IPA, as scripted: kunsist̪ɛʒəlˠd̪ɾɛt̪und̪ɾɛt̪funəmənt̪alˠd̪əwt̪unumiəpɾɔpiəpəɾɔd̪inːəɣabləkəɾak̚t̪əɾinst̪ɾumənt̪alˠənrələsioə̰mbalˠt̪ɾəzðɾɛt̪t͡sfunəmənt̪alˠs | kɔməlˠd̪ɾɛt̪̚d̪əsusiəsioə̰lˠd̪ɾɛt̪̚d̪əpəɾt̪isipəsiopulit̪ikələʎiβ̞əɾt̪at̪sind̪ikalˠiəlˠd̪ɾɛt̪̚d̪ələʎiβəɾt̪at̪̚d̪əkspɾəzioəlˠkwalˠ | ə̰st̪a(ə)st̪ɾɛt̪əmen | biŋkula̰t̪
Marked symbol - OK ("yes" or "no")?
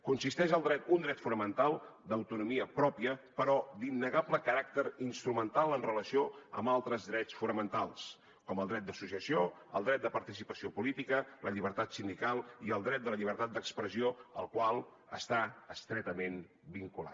yes